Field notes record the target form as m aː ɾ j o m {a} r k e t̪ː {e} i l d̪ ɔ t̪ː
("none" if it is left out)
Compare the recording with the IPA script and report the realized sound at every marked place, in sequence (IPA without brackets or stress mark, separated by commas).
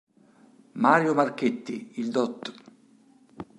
a, i